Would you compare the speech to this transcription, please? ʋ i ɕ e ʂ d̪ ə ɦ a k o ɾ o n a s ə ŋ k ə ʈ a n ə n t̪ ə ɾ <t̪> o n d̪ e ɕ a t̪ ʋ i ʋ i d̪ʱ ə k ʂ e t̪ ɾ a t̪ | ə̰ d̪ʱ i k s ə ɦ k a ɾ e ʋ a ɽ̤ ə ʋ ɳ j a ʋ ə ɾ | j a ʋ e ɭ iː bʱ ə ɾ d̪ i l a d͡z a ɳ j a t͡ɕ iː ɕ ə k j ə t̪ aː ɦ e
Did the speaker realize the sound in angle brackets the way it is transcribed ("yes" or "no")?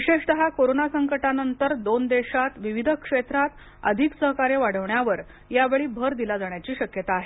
no